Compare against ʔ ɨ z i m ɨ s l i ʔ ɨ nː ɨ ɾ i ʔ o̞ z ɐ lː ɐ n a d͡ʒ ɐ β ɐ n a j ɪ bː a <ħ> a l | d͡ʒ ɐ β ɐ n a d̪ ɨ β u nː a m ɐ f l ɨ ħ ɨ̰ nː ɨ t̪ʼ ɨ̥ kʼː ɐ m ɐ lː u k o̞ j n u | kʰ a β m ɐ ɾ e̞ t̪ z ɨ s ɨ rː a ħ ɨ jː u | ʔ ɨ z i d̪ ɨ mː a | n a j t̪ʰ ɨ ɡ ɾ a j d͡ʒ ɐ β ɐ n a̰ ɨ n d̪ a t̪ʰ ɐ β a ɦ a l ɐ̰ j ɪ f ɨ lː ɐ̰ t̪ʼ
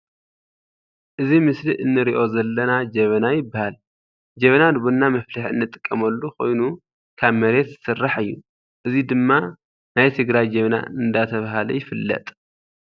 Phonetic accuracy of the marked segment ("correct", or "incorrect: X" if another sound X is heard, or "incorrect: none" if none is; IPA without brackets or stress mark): incorrect: h